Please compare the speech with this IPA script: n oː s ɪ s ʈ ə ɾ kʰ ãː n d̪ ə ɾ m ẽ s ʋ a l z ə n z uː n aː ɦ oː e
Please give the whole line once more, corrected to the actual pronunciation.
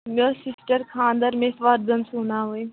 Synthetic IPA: m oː s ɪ s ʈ ə ɾ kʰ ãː n d̪ ə ɾ m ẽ s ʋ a ɾ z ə n s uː n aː ɦ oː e